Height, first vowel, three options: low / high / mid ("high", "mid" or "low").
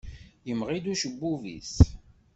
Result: mid